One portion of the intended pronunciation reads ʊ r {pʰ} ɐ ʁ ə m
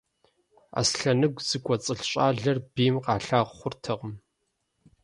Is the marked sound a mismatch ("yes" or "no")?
yes